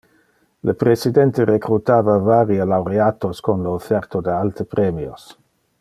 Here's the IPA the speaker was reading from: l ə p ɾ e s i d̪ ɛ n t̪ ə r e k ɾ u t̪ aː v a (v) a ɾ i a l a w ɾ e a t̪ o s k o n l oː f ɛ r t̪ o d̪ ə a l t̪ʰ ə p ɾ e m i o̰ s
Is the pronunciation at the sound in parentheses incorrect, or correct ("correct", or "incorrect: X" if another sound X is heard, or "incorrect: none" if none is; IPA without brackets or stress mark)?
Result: correct